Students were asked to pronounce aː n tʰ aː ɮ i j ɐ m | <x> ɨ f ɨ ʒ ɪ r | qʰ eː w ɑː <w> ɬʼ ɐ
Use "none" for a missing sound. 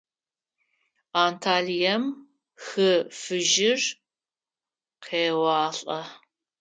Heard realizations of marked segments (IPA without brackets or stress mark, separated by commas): x, none